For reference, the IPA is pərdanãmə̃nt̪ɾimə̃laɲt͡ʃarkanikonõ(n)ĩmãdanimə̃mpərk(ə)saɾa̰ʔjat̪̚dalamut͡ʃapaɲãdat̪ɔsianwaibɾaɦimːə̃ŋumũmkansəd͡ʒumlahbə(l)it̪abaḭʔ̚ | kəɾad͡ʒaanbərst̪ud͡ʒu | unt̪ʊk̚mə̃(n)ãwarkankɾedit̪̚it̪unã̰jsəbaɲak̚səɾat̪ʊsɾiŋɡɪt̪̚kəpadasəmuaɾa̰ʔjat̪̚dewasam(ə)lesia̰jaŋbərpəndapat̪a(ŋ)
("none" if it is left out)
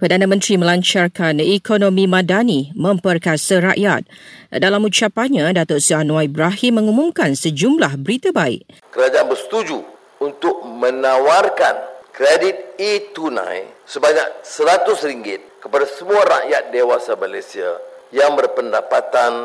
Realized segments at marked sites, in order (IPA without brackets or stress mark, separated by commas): m, a, ɾ, n, a, n